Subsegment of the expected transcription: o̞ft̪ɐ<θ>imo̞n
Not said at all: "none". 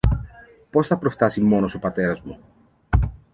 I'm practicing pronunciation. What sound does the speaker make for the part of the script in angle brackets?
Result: s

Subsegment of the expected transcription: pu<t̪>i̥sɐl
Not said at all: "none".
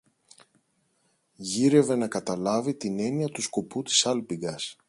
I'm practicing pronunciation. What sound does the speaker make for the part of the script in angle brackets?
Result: t̪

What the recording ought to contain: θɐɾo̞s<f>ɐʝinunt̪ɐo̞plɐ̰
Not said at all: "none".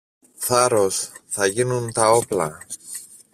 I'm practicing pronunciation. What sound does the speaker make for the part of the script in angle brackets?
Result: θ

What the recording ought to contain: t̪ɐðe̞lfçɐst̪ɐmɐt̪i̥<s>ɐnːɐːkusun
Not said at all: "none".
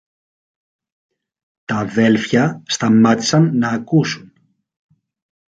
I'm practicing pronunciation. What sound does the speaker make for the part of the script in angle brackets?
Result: s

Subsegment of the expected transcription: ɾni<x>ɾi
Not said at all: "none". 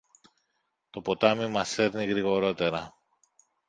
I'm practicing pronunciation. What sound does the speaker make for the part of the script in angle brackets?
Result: ɣ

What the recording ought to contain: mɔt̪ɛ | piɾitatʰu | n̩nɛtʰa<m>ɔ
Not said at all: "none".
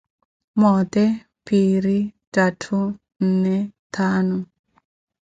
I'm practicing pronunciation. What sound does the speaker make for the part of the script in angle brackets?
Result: n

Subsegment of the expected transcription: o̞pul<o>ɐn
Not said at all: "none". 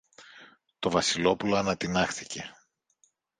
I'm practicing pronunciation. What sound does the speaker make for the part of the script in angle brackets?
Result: o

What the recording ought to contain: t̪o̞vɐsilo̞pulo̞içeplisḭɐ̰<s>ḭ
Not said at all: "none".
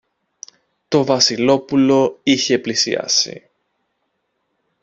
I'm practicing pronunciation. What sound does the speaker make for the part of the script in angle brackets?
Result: s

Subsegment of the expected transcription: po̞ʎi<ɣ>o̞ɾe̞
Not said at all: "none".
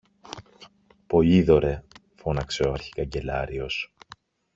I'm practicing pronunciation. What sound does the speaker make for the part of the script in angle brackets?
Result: ð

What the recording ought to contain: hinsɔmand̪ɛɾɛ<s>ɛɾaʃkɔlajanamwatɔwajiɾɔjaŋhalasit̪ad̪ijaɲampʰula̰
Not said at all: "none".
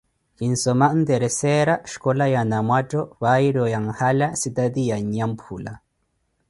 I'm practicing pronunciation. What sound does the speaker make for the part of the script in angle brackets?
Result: s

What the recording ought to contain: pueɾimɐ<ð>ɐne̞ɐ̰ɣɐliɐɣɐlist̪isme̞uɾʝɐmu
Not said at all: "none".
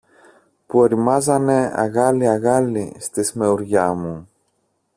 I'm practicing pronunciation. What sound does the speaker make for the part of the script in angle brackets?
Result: z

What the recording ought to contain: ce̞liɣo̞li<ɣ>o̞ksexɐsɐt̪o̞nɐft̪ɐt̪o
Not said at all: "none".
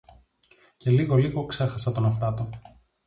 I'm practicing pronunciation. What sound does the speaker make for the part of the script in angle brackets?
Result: ɣ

